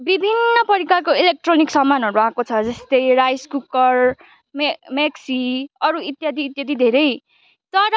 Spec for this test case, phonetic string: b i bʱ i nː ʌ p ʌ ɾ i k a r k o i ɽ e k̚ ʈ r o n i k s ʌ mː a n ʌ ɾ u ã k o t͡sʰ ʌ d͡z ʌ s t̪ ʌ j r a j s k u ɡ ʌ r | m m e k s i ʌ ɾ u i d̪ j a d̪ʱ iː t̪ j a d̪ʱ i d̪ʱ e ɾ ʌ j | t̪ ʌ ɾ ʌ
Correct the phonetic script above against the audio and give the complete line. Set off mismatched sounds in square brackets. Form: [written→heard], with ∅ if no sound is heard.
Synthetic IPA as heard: b i bʱ i nː ʌ p ʌ ɾ i k a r k o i [ɽ→l] e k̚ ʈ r o n i k s ʌ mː a n ʌ ɾ u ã k o t͡sʰ ʌ d͡z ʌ s t̪ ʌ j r a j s k u [ɡ→k] ʌ r | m m e k s i ʌ ɾ u i [d̪→t̪] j a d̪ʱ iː t̪ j a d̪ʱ i d̪ʱ e ɾ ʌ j | t̪ ʌ ɾ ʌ